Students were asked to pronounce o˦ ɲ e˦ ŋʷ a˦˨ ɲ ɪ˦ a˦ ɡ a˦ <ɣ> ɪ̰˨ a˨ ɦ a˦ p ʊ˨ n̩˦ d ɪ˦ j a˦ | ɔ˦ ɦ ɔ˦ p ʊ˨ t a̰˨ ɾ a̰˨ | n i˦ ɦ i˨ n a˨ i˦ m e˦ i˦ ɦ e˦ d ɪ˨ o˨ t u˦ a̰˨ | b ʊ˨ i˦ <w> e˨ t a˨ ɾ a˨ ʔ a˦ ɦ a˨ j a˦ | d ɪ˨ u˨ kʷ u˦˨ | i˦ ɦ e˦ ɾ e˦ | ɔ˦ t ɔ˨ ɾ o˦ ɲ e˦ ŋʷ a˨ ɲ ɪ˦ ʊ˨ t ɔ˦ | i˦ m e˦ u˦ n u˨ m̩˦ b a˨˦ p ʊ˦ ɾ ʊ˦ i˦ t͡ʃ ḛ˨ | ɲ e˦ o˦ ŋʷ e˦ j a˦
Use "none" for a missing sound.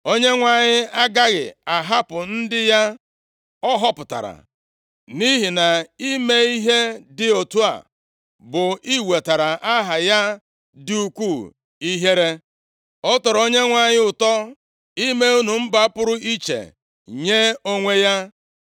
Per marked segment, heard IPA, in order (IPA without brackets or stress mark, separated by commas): ɣ, w